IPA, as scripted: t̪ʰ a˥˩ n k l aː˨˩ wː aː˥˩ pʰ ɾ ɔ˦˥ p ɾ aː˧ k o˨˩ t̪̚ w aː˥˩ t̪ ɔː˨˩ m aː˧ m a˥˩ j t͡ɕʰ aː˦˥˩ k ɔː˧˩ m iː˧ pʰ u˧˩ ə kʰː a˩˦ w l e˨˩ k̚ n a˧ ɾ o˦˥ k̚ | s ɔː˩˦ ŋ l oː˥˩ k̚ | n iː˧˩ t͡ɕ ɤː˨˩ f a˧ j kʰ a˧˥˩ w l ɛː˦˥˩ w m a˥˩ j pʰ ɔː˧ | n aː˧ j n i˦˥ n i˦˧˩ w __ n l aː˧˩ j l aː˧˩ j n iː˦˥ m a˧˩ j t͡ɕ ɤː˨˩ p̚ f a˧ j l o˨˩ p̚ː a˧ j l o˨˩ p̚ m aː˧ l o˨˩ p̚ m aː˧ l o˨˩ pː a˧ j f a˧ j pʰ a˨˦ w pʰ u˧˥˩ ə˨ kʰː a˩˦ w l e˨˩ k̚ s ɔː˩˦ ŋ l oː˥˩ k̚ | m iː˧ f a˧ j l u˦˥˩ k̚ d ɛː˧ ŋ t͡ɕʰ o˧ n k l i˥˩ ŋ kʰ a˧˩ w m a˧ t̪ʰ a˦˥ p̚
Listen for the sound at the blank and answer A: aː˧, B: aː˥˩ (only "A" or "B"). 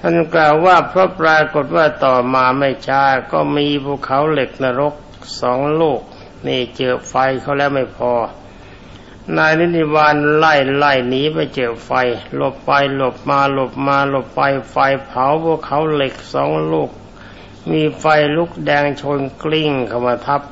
A